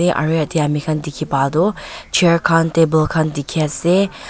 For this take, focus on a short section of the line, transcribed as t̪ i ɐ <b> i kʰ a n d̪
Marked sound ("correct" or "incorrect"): incorrect